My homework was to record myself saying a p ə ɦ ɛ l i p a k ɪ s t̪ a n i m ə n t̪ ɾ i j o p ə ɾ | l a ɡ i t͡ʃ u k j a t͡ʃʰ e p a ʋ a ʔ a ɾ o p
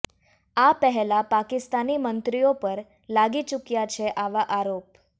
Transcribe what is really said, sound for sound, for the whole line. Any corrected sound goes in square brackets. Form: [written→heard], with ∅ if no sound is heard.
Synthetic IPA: a p ə ɦ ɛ l [i→a] p a k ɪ s t̪ a n i m ə n t̪ ɾ i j o p ə ɾ | l a ɡ i t͡ʃ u k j a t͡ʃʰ e [p→ʔ] a ʋ a ʔ a ɾ o p